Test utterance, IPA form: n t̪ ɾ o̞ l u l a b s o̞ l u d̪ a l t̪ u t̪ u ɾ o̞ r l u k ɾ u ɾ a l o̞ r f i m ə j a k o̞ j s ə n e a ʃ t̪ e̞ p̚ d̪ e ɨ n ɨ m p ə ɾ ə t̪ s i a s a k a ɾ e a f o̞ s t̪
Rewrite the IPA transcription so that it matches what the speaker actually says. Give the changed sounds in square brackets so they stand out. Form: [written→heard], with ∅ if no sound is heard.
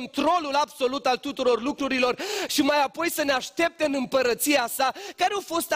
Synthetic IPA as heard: n t̪ ɾ o̞ l u l a b s o̞ l u [d̪→t̪] a l t̪ u t̪ u ɾ o̞ r l u k ɾ u ɾ [a→i] l o̞ r [f→ʃ] i m [ə→a] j a [k→p] o̞ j s ə n e a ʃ t̪ e̞ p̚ [d̪→t̪] e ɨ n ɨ m p ə ɾ ə t̪ s i a s a k a ɾ e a f o̞ s t̪